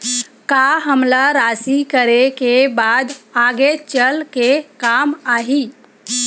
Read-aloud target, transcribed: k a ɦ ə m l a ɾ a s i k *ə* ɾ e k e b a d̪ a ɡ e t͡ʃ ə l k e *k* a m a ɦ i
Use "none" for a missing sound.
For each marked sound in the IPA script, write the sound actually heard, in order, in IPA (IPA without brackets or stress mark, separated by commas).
ə, k